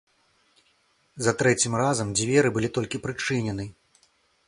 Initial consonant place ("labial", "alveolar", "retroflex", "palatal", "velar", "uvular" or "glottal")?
alveolar